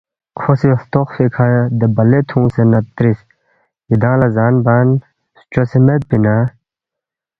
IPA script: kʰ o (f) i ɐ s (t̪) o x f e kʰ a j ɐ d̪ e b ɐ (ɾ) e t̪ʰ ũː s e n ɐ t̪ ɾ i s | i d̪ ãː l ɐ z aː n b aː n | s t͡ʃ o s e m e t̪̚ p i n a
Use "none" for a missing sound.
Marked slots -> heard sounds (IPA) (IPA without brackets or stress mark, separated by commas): s, t̪, l